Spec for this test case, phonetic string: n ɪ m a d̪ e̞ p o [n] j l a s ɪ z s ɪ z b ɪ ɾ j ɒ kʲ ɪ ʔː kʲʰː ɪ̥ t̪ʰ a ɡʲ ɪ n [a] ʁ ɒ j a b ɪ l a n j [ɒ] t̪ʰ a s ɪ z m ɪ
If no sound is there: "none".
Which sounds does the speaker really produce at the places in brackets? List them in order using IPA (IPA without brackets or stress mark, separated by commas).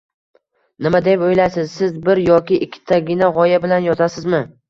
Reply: none, a, ɒ